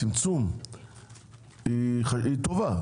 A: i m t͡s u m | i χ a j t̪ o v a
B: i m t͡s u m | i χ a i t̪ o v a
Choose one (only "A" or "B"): B